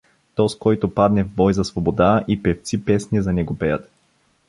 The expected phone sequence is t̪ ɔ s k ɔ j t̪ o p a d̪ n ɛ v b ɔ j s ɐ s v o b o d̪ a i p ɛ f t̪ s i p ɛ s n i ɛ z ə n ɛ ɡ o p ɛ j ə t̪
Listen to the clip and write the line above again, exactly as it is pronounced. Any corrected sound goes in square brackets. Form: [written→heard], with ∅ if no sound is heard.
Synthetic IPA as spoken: t̪ ɔ s k ɔ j t̪ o p a d̪ n ɛ v b ɔ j [s→z] ɐ s v o b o d̪ a i p ɛ f t̪ s i p ɛ s n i ɛ z [ə→ɐ] n ɛ ɡ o p ɛ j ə t̪